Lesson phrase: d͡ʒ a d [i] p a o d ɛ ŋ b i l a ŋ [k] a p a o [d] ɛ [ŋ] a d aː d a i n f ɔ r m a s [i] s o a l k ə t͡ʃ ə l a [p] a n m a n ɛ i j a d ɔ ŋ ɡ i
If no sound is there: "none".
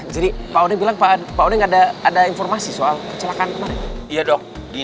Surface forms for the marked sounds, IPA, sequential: i, p, d, ŋ, i, k

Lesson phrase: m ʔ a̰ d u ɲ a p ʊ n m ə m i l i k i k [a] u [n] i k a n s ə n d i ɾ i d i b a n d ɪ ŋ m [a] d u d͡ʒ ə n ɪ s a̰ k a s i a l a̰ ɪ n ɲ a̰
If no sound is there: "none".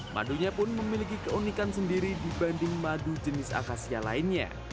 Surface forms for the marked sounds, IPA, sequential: ə, n, a

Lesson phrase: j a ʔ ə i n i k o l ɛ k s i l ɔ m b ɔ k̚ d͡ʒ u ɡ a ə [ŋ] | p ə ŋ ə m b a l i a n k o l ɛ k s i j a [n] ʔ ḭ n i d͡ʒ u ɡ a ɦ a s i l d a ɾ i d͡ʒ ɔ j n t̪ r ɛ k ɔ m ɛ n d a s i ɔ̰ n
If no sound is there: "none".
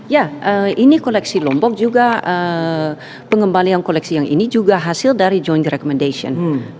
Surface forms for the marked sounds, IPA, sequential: none, ŋ

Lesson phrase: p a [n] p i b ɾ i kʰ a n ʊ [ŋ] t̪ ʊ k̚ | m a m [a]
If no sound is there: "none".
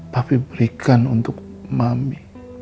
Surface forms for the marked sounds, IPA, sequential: none, n, i

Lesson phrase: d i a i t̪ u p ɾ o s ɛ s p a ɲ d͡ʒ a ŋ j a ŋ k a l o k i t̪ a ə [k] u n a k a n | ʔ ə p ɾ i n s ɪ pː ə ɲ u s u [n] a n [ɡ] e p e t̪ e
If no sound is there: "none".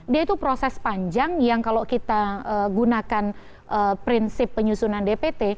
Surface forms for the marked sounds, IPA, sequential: ɡ, n, d

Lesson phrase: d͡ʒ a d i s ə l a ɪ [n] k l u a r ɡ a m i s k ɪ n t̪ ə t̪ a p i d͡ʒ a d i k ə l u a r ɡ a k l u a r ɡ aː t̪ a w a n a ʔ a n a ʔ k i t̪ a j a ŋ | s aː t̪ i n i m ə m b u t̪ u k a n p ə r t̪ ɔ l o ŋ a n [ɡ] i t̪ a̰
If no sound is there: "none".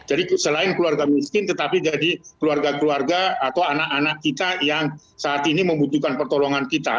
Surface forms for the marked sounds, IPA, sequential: n, k

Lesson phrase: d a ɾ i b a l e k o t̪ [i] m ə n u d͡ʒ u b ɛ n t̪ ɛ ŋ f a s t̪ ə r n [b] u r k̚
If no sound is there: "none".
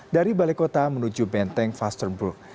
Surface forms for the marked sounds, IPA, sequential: a, b

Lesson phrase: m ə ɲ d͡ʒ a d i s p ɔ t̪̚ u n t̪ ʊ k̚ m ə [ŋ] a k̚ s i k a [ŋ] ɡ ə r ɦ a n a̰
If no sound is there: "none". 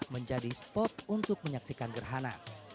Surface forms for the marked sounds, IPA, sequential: ɲ, n

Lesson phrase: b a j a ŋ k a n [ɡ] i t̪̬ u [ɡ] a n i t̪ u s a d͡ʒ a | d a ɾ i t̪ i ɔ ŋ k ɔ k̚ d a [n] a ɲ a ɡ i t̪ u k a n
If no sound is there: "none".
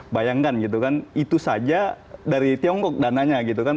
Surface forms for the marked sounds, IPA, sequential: ɡ, k, n

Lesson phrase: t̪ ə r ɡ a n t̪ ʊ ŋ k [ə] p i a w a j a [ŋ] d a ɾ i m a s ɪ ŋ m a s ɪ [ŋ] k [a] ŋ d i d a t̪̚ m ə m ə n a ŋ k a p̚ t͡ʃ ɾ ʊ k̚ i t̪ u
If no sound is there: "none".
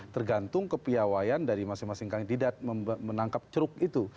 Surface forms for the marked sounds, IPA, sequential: ə, n, ŋ, a

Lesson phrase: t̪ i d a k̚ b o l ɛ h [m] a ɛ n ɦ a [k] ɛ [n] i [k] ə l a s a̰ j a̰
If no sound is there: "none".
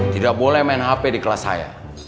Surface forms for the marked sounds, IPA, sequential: m, p, d, k

